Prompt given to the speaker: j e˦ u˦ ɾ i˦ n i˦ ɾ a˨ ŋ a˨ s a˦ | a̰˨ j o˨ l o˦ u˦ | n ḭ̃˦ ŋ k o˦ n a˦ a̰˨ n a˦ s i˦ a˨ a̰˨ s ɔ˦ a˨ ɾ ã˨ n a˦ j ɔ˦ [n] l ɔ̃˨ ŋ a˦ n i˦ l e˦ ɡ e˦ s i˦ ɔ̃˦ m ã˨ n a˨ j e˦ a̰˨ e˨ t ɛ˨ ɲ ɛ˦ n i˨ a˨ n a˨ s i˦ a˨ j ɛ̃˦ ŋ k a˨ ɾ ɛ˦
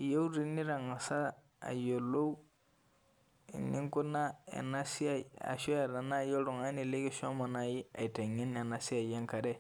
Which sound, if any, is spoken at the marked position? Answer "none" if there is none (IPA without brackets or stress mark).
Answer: none